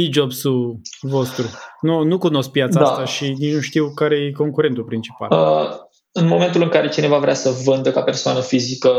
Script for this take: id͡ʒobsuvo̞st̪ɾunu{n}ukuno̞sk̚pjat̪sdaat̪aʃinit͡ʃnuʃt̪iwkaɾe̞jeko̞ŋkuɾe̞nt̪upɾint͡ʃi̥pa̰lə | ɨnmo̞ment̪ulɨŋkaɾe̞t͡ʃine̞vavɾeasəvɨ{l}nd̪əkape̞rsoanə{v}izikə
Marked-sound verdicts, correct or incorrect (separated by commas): correct, incorrect, incorrect